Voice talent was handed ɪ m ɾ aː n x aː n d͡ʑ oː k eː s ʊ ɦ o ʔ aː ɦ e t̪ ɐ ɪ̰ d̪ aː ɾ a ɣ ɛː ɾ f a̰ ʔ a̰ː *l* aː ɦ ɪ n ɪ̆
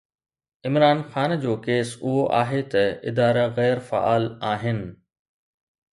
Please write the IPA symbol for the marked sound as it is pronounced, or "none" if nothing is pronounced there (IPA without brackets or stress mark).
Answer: l